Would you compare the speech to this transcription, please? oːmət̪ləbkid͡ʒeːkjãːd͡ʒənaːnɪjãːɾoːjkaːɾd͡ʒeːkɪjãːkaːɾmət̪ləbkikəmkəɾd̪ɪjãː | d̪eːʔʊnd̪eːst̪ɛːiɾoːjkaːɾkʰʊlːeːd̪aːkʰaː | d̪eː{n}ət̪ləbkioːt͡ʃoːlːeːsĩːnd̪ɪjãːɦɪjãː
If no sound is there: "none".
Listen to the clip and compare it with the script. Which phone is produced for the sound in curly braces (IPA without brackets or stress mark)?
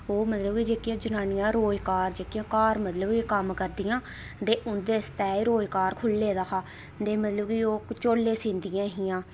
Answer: m